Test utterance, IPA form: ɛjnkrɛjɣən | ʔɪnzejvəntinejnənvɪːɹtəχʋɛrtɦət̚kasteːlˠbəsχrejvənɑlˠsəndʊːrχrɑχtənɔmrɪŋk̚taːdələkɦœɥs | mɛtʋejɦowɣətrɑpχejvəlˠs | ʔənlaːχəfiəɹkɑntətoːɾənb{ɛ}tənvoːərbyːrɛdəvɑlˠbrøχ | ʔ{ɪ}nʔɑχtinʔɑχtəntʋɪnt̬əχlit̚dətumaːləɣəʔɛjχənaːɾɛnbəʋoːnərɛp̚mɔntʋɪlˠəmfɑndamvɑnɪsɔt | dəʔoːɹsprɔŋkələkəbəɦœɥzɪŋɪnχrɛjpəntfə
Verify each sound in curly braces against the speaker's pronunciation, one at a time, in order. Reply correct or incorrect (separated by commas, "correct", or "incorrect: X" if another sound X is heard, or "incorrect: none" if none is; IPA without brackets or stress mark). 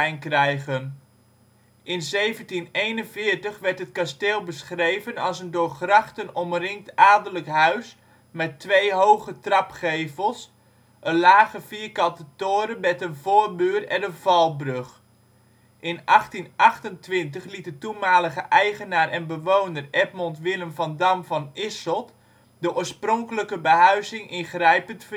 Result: correct, correct